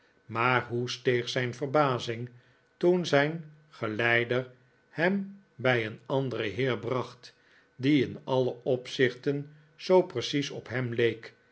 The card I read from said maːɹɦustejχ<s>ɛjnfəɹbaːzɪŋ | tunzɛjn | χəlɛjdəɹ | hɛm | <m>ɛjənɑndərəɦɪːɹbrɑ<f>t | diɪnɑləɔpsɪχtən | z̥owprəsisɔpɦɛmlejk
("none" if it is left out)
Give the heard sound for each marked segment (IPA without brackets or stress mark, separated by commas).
s, b, χ